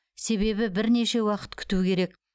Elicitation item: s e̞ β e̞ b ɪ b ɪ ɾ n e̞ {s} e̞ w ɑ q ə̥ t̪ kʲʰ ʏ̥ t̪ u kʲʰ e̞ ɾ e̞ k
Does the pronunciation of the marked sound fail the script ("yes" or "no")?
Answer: yes